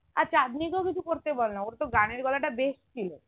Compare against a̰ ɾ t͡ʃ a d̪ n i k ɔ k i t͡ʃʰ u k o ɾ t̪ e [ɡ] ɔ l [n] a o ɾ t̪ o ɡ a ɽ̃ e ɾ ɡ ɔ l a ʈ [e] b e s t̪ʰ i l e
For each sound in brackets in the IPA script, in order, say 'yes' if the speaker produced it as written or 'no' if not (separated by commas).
no, yes, no